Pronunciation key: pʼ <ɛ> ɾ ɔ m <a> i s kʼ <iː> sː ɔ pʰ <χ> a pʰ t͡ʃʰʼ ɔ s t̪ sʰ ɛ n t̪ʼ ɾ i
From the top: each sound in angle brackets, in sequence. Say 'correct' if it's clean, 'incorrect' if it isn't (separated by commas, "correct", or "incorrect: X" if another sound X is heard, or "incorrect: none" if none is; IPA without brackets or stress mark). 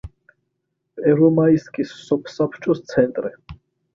correct, correct, incorrect: i, incorrect: s